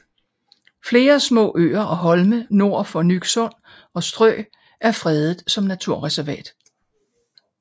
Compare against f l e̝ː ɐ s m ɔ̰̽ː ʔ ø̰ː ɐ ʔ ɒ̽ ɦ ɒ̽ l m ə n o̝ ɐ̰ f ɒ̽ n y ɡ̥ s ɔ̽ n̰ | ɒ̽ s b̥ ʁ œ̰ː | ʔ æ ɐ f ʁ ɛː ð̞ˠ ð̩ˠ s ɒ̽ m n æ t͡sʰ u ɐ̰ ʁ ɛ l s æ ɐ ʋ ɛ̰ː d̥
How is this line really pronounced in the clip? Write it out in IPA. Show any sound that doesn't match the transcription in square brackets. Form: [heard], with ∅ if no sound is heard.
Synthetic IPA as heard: f l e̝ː ɐ s m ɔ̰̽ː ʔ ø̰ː ɐ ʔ ɒ̽ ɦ ɒ̽ l m ə n o̝ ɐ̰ f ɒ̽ n y ɡ̥ s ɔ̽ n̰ | ɒ̽ s [d̥] ʁ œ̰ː | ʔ æ ɐ f ʁ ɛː ð̞ˠ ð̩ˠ s ɒ̽ m n æ t͡sʰ u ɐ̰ ʁ ɛ [∅] s æ ɐ ʋ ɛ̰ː d̥